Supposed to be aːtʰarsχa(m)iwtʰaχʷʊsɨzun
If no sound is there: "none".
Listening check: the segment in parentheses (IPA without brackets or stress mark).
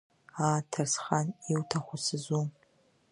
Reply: n